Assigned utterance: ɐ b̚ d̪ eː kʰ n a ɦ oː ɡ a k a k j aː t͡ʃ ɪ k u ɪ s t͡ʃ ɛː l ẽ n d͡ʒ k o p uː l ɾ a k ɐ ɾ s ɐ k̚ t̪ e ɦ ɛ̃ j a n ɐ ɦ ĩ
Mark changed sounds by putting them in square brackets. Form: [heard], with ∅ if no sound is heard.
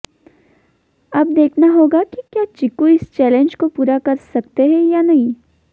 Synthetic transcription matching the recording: ɐ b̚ d̪ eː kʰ n a ɦ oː ɡ a k [i] k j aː t͡ʃ ɪ k u ɪ s t͡ʃ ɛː l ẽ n d͡ʒ k o p uː [∅] ɾ a k ɐ ɾ s ɐ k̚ t̪ e ɦ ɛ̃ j a n ɐ ɦ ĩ